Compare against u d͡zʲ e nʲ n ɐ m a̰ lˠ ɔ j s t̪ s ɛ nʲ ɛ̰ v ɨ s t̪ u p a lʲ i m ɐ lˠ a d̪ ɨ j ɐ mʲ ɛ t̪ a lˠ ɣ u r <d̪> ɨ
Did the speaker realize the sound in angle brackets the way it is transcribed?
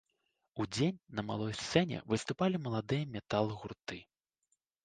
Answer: no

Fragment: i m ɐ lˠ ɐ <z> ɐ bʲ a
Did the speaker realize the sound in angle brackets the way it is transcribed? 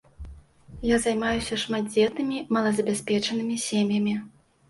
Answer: yes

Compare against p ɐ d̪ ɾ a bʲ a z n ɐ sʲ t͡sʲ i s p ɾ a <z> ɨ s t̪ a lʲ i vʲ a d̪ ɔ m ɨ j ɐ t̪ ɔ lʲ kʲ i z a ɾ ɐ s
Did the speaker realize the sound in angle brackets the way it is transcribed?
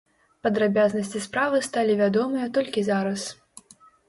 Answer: no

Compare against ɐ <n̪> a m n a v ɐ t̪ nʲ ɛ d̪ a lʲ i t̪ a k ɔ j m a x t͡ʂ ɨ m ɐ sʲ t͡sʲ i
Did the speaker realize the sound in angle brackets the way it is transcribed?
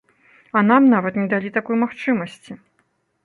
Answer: yes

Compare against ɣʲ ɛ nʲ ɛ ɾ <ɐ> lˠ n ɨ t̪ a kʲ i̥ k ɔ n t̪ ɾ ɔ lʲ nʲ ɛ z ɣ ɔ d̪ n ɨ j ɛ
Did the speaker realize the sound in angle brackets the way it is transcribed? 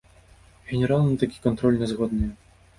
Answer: no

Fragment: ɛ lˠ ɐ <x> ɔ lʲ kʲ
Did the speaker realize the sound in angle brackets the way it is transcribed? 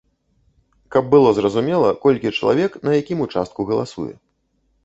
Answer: no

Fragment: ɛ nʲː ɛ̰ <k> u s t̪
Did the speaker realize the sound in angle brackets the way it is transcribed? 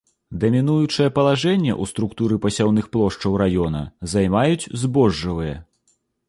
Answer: no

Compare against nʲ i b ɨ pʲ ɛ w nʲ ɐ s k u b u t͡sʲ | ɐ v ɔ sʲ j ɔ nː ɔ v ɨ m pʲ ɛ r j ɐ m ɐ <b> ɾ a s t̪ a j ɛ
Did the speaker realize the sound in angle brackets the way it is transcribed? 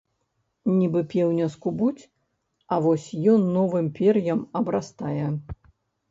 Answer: yes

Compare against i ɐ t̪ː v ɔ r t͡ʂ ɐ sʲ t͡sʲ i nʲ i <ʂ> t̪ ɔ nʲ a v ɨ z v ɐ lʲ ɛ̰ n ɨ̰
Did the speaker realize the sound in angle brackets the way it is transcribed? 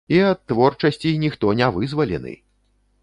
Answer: no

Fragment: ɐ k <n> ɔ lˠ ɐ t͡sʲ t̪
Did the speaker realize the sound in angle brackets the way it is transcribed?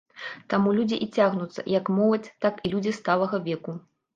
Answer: no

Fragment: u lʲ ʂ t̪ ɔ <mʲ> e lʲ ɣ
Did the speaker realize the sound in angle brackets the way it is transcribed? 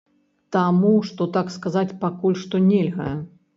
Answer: no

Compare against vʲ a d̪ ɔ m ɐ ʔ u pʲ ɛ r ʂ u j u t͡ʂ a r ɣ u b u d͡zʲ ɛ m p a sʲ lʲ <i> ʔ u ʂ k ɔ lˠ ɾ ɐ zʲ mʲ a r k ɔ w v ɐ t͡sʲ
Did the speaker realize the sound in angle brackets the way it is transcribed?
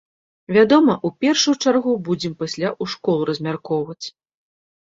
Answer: no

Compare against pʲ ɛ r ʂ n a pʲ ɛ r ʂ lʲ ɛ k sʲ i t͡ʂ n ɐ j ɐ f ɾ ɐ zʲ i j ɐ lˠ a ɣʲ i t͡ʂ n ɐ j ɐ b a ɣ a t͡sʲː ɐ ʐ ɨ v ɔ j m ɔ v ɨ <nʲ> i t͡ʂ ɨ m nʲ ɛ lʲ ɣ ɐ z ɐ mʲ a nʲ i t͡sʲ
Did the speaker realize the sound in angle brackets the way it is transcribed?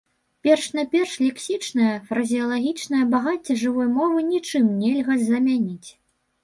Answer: yes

